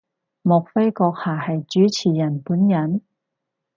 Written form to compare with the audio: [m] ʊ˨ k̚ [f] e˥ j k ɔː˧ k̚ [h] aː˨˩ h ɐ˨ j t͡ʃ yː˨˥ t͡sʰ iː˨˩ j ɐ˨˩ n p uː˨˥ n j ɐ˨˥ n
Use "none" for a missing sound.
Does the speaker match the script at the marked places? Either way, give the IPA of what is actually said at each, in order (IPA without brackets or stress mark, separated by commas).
m, f, h